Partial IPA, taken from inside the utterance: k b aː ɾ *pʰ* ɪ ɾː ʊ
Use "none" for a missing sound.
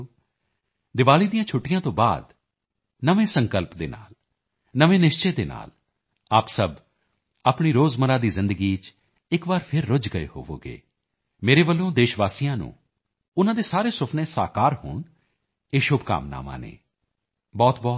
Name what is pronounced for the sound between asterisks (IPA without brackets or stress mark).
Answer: pʰ